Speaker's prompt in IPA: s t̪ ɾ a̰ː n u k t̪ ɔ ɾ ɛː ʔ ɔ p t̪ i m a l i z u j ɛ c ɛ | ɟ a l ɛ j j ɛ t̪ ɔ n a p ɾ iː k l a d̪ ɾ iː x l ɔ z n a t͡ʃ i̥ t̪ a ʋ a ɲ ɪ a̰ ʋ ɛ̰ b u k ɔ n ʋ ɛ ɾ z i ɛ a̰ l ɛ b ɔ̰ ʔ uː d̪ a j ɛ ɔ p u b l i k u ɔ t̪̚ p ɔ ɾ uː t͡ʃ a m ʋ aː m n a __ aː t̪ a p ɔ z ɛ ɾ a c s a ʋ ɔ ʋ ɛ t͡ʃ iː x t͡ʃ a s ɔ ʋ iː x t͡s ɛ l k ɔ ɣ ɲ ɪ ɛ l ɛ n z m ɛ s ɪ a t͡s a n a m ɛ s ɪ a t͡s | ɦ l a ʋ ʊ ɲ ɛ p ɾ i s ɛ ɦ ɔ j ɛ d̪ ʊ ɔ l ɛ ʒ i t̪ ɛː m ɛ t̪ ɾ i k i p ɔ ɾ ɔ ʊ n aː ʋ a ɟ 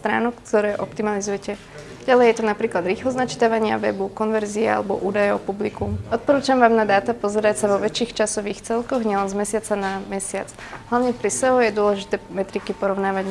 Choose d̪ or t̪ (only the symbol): d̪